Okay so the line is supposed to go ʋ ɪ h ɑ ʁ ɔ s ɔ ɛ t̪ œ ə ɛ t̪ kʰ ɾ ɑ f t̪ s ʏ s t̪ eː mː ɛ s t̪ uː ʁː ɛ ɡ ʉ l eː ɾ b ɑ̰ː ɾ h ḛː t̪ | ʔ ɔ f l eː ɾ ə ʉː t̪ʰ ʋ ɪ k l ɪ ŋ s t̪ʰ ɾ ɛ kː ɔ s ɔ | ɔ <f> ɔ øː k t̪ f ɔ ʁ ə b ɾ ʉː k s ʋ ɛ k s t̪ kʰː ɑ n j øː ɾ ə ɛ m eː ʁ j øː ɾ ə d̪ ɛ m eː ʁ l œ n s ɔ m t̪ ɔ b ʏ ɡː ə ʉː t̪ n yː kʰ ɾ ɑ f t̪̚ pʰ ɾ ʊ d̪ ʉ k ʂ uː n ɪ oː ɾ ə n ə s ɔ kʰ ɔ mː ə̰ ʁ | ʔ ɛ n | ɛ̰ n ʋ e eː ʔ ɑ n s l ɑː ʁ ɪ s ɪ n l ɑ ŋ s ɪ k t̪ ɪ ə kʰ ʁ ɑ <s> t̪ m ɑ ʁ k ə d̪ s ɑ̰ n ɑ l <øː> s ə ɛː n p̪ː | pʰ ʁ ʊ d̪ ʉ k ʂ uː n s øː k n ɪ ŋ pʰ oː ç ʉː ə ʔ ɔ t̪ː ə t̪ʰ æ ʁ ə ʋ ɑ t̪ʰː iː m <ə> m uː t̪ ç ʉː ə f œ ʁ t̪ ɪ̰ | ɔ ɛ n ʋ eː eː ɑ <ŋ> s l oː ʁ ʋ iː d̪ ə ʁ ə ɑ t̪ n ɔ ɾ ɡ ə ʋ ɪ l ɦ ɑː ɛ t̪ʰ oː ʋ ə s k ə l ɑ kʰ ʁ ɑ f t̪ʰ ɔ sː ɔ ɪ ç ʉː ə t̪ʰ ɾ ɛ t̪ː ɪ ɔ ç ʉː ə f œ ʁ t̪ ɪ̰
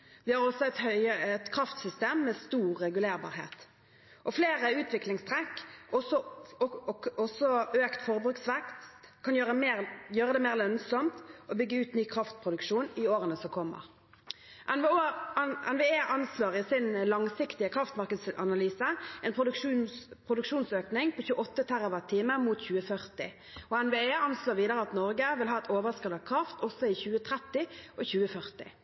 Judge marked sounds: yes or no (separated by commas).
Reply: no, no, no, yes, no